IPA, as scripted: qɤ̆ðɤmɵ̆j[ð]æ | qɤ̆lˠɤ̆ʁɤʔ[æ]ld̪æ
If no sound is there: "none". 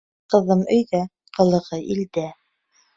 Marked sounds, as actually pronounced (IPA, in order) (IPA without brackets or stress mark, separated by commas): ð, i